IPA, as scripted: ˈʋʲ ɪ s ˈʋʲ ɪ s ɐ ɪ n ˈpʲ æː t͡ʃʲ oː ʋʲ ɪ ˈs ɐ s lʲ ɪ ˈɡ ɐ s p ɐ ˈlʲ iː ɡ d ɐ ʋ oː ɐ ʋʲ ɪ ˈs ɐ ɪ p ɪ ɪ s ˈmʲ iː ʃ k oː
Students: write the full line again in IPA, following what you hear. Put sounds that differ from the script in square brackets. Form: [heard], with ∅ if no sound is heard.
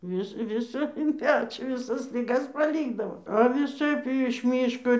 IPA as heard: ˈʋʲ ɪ s ˈʋʲ ɪ s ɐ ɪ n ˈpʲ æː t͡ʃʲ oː ʋʲ ɪ ˈs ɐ s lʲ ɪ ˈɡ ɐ s p ɐ ˈlʲ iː ɡ d ɐ ʋ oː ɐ ʋʲ ɪ ˈs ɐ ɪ p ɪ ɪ [ʃ] ˈmʲ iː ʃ k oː